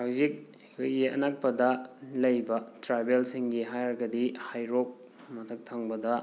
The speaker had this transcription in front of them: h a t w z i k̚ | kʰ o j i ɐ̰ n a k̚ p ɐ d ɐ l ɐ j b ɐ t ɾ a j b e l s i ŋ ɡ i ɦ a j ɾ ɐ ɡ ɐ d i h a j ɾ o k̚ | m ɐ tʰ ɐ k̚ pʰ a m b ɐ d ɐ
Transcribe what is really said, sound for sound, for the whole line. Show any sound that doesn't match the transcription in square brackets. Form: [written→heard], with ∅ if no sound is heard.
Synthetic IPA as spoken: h a [t→∅] w z i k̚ | kʰ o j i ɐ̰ n a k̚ p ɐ d ɐ l ɐ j b ɐ t ɾ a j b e l s i ŋ ɡ i ɦ a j ɾ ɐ ɡ ɐ d i h a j ɾ o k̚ | m ɐ tʰ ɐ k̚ [pʰ→tʰ] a [m→ŋ] b ɐ d ɐ